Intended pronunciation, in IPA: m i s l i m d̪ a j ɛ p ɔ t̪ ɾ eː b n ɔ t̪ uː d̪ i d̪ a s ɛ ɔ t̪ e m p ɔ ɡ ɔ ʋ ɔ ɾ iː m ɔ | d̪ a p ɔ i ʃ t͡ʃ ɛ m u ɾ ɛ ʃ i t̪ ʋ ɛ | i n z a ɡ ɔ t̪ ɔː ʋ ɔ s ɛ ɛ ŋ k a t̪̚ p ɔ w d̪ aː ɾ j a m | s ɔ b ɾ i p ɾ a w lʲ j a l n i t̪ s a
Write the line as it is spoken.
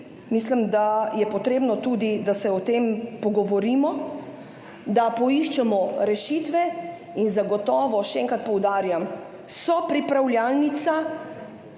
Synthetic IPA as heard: m i s l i m d̪ a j ɛ p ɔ t̪ ɾ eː b n ɔ t̪ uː d̪ i d̪ a s ɛ ɔ t̪ e m p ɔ ɡ ɔ ʋ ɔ ɾ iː m ɔ | d̪ a p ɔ i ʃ t͡ʃ ɛ m ɔ ɾ ɛ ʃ i t̪ ʋ ɛ | i n z a ɡ ɔ t̪ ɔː ʋ ɔ ʃ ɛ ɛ ŋ k a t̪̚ p ɔ w d̪ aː ɾ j a m | s ɔ p ɾ i p ɾ a w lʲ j a l n i t̪ s a

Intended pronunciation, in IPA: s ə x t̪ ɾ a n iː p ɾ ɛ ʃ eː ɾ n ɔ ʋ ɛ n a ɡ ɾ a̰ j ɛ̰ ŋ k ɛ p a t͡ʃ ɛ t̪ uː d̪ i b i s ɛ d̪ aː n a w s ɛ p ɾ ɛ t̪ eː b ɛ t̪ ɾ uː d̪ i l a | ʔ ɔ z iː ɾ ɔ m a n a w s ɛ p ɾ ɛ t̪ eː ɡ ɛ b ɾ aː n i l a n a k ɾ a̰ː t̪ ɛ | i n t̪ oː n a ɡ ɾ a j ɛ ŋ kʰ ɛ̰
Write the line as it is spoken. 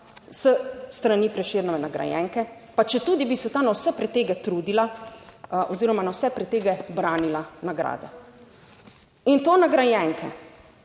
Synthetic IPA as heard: s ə s t̪ ɾ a n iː p ɾ ɛ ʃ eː ɾ n ɔ ʋ ɛ n a ɡ ɾ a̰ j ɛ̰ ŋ k ɛ p a t͡ʃ ɛ t̪ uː d̪ i b i s ɛ t̪ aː n a w s ɛ p ɾ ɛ t̪ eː ɡ ɛ t̪ ɾ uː d̪ i l a | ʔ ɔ z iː ɾ ɔ m a n a w s ɛ p ɾ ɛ t̪ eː ɡ ɛ b ɾ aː n i l a n a ɡ ɾ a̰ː d̪ ɛ | i n t̪ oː n a ɡ ɾ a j ɛ ŋ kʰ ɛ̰

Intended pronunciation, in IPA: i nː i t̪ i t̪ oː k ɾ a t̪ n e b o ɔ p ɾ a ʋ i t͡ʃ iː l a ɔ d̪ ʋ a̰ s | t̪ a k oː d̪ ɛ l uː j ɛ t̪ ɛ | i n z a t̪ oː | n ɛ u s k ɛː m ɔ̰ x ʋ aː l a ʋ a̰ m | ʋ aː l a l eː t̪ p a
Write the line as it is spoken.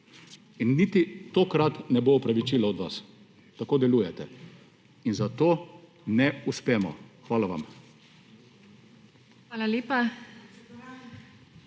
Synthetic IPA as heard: i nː i t̪ i t̪ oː k ɾ a t̪ n ɛ b o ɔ p ɾ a ʋ i t͡ʃ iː l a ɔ d̪ ʋ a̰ s | t̪ a k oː d̪ ɛ l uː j ɛ t̪ ɛ | i n z a t̪ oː | n ɛ u s p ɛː m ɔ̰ x ʋ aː l a ʋ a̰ m | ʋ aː l a l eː p a

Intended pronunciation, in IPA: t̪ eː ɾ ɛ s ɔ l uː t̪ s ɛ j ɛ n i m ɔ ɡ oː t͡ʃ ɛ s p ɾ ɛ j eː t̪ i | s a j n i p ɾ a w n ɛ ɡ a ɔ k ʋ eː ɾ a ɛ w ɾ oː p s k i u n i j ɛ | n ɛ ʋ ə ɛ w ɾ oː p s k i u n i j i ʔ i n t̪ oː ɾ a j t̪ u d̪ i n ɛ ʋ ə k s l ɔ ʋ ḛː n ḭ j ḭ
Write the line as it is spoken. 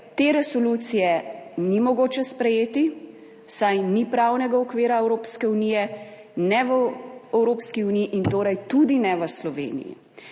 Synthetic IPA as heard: t̪ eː ɾ ɛ s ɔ l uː t̪ s i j ɛ n i m ɔ ɡ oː t͡ʃ ɛ s p ɾ ɛ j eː t̪ i | s a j n i p ɾ a w n ɛ ɡ a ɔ k ʋ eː ɾ a ɛ w ɾ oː p s k ɛ u n i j ɛ | n ɛ ʋ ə ɛ w ɾ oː p s k i u n i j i ʔ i n t̪ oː ɾ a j t̪ u d̪ i n ɛ ʋ ə s l ɔ ʋ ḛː n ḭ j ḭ

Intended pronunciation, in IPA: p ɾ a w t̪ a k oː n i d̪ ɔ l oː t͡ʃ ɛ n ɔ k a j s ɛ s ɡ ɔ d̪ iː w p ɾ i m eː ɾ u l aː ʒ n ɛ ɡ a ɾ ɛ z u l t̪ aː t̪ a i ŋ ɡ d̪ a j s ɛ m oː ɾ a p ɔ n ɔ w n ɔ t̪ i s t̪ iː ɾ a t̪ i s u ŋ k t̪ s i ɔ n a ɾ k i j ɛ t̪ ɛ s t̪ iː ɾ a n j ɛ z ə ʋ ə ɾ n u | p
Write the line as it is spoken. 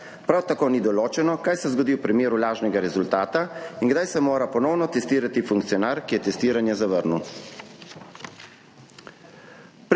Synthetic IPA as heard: p ɾ a w t̪ a k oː n i d̪ ɔ l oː t͡ʃ ɛ n ɔ k a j s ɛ z ɡ ɔ d̪ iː w p ɾ i m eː ɾ u l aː ʒ n ɛ ɡ a ɾ ɛ z u l t̪ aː t̪ a i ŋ ɡ d̪ a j s ɛ m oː ɾ a p ɔ n ɔ w n ɔ t̪ ɛ s t̪ iː ɾ a t̪ i f u ŋ k t̪ s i ɔ n a ɾ k i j ɛ t̪ ɛ s t̪ iː ɾ a n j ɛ z a ʋ ə ɾ n u | p

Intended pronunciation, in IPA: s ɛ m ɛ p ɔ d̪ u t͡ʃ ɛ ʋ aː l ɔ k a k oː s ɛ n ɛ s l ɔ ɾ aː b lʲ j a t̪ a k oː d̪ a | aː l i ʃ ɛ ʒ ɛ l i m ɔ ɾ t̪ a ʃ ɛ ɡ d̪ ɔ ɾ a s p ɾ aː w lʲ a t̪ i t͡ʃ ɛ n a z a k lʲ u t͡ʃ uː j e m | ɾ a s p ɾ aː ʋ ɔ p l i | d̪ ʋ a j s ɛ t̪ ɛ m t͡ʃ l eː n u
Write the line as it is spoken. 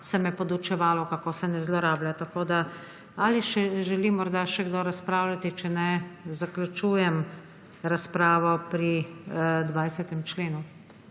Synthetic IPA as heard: s ɛ m ɛ p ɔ d̪ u t͡ʃ ɛ ʋ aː l ɔ k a k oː s ɛ n ɛ z l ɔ ɾ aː b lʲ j a t̪ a k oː d̪ a | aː l i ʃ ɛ ʒ ɛ l i m ɔ ɾ d̪ a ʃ ɛ ɡ d̪ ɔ ɾ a s p ɾ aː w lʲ a t̪ i t͡ʃ ɛ n ɛ z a k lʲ u t͡ʃ uː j ɛ m | ɾ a s p ɾ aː ʋ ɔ p ɾ i | d̪ ʋ a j s ɛ t̪ ɛ m t͡ʃ l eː n u

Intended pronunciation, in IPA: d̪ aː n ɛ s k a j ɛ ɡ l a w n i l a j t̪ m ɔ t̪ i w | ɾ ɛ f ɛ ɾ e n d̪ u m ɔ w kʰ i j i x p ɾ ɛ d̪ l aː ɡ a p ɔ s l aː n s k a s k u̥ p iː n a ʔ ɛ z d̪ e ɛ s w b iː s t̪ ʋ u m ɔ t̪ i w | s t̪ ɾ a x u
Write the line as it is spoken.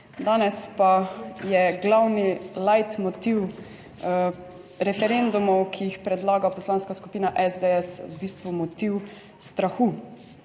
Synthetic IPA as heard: d̪ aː n ɛ s p a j ɛ ɡ l a w n i l a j t̪ m ɔ t̪ i w | ɾ ɛ f ɛ ɾ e n d̪ u m ɔ w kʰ i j i x p ɾ ɛ d̪ l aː ɡ a p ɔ s l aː n s k a s k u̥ p iː n a ʔ ɛ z d̪ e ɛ s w b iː s t̪ ʋ u m ɔ t̪ i w | s t̪ ɾ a x u

